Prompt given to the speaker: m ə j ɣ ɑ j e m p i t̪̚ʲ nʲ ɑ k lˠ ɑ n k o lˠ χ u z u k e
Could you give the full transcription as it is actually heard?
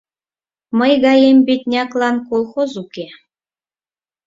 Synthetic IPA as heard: m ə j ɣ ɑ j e m b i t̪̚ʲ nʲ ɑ k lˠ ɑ n k o lˠ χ o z u k e